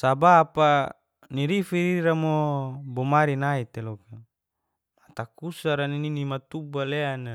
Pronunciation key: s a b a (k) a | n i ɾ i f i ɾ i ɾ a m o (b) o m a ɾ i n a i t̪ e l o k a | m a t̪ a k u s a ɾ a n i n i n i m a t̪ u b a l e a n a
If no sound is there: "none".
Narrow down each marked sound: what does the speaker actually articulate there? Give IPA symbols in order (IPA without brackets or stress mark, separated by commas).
p, b